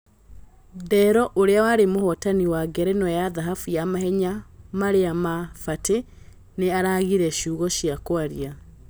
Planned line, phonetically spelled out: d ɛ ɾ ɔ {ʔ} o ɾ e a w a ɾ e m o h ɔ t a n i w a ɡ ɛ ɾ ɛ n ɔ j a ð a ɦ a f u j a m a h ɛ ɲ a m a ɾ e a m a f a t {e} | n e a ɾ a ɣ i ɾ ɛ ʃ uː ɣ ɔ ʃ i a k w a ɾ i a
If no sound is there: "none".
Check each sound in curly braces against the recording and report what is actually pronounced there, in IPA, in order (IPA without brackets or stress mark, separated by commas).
ʔ, e